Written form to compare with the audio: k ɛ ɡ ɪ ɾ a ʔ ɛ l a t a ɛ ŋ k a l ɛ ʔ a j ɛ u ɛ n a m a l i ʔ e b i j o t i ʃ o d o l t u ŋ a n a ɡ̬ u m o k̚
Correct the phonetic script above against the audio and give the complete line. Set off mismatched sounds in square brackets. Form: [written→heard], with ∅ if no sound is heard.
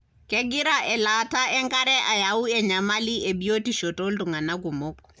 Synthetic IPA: k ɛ ɡ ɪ ɾ a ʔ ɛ l a t a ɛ ŋ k a [l→ɾ] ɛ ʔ a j [ɛ→a] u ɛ [n→ɲ] a m a l i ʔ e b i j o t i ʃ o [d→t] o l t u ŋ a n a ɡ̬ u m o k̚